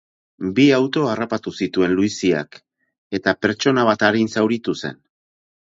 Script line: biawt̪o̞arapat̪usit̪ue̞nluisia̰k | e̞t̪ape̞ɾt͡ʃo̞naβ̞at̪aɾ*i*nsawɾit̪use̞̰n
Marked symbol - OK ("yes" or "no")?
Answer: yes